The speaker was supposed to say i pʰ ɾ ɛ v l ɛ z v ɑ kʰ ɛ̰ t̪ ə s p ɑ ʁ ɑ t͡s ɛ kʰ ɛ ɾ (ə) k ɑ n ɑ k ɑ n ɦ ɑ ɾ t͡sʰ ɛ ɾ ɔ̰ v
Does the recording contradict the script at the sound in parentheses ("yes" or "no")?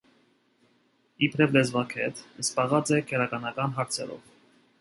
yes